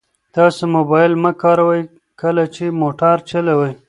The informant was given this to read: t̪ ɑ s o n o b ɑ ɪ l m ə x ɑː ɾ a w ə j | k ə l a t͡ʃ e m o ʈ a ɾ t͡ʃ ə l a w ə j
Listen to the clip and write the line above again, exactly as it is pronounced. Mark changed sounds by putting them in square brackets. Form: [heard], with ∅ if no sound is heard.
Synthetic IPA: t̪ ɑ s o [m] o b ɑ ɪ l m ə [k] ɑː ɾ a w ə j | k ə l a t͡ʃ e m o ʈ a ɾ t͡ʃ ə l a w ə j